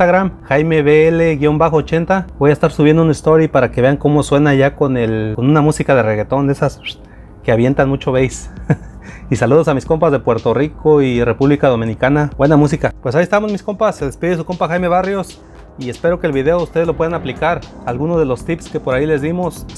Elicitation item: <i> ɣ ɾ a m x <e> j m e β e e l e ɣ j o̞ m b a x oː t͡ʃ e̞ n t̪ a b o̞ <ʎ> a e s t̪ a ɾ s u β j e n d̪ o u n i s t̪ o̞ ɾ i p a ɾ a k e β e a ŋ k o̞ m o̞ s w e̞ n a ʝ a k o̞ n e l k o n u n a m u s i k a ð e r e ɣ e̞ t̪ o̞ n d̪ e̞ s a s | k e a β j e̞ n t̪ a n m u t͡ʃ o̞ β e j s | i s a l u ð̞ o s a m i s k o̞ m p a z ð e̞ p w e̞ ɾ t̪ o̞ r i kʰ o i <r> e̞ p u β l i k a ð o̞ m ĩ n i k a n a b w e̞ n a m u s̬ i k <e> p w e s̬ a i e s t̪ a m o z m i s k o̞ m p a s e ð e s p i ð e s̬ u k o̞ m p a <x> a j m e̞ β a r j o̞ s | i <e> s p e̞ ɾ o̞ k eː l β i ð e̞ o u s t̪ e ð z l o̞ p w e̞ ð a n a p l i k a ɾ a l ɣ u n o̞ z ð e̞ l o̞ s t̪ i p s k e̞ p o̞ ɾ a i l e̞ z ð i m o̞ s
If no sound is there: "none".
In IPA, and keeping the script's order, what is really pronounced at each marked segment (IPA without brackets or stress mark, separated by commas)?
a, a, j, r, a, x, e